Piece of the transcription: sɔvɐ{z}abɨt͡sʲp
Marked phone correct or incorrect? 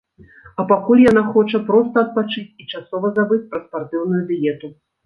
correct